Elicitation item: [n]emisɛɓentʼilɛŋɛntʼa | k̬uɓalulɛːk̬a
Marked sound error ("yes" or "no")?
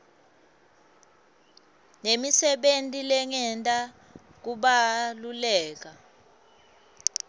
no